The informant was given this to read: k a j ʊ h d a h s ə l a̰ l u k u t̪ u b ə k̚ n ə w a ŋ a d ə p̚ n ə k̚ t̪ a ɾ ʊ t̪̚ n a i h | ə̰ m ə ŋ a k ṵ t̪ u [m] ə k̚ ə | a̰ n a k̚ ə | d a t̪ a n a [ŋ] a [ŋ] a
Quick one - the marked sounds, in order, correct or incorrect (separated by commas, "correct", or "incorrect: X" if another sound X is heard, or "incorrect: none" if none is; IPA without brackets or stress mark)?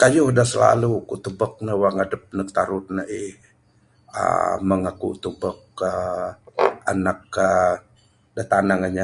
incorrect: b, correct, incorrect: ɲ